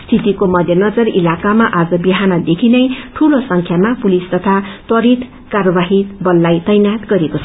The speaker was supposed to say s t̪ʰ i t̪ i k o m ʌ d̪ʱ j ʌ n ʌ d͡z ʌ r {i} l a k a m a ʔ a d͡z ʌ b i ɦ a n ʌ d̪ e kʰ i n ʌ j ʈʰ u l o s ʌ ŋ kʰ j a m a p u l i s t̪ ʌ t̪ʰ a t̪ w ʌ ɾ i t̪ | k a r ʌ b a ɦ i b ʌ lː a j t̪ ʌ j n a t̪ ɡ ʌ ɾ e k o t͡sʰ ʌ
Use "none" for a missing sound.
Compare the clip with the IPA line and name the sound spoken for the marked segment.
i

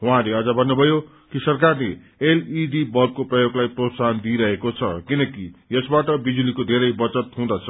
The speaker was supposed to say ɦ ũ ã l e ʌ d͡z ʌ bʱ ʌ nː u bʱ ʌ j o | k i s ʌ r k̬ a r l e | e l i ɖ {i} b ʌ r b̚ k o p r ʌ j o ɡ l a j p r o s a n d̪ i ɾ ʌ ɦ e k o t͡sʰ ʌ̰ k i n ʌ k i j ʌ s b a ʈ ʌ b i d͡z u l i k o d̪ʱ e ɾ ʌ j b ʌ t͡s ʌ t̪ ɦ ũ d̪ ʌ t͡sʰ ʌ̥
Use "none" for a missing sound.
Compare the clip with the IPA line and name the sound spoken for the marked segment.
i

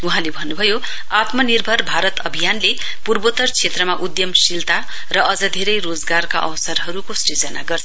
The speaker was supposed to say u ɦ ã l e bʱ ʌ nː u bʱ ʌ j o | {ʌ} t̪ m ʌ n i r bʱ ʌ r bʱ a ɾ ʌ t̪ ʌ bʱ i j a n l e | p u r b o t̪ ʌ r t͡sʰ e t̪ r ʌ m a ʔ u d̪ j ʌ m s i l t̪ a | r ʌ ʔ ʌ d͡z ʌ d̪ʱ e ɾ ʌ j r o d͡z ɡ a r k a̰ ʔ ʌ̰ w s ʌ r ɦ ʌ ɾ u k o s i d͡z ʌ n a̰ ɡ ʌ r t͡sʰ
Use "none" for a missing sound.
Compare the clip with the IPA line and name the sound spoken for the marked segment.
a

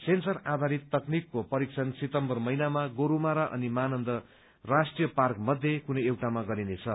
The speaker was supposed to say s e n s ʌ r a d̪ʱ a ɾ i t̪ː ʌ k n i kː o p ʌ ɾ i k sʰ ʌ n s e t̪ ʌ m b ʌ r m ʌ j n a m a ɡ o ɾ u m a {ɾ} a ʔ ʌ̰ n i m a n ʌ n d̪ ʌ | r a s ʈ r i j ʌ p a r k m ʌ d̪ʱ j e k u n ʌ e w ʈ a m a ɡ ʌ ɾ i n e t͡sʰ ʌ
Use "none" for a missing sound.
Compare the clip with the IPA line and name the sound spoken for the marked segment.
ɾ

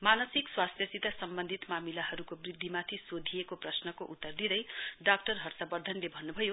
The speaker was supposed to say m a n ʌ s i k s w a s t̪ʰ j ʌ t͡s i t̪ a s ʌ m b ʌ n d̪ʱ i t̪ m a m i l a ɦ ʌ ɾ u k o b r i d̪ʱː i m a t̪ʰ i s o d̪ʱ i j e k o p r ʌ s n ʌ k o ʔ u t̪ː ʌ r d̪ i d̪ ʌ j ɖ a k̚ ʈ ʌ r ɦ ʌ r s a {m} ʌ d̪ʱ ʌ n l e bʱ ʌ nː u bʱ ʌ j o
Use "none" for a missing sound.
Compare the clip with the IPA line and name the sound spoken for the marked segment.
b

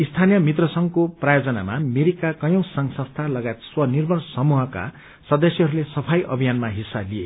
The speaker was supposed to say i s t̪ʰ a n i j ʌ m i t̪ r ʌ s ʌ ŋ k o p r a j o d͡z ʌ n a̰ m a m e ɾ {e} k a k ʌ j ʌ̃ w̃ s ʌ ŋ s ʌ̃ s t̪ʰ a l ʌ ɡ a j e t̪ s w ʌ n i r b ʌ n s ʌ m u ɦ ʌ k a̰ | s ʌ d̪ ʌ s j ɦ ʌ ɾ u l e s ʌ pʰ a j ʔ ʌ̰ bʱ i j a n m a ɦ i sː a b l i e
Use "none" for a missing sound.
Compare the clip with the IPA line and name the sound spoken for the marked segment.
i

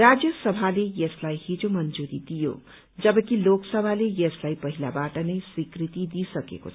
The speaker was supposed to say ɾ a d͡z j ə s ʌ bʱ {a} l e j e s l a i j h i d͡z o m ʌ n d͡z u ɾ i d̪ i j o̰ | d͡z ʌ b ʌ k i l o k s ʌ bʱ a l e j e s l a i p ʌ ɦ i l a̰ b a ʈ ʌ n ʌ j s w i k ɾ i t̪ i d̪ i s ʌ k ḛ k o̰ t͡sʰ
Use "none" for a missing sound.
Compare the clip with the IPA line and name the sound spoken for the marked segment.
a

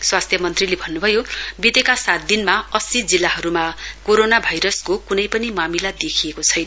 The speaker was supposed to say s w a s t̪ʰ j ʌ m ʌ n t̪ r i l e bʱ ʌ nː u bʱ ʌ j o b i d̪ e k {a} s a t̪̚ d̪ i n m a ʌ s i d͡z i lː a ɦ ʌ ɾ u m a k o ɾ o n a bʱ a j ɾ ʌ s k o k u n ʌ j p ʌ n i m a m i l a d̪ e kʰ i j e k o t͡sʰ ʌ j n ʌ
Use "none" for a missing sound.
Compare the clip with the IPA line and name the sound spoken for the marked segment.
a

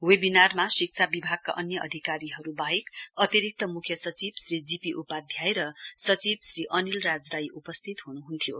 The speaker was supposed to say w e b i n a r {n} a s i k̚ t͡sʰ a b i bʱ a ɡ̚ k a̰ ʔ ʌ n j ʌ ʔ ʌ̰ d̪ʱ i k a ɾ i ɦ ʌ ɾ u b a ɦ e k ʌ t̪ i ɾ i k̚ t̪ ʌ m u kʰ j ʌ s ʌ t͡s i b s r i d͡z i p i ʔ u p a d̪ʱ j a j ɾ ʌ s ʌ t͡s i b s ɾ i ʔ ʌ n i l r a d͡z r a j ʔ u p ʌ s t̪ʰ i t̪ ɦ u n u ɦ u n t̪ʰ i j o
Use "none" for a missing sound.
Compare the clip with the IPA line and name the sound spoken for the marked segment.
m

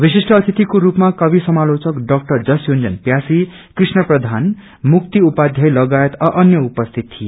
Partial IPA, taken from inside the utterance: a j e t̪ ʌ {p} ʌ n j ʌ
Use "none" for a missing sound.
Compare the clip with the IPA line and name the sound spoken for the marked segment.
ʔ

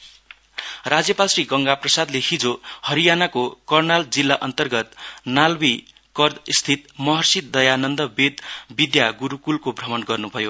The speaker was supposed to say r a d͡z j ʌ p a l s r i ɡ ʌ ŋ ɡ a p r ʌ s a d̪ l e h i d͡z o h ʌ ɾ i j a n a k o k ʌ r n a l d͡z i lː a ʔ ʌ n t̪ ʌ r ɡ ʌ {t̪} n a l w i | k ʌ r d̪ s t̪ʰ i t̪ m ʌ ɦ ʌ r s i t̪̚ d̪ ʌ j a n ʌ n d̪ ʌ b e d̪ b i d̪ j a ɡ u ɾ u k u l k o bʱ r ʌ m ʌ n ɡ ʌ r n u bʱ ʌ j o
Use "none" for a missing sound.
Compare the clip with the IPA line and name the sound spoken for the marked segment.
t̪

